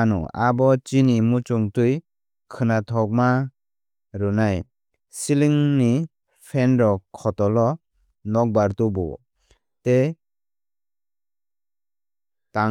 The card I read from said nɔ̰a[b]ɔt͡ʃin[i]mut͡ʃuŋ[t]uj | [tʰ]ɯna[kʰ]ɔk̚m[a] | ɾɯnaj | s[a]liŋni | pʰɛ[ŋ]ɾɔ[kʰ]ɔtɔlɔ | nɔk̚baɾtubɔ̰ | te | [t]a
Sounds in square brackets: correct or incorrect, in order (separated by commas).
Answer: correct, correct, correct, incorrect, incorrect, correct, incorrect, incorrect, correct, correct